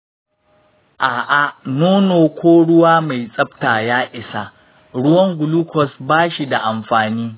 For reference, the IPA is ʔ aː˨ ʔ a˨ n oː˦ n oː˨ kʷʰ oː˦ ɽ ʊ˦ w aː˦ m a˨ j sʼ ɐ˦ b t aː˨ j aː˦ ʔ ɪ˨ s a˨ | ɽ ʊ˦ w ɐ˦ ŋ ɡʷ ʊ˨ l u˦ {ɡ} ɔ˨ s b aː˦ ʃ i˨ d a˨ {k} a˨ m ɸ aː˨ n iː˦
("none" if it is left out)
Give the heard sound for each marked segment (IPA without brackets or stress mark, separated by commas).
k, ʔ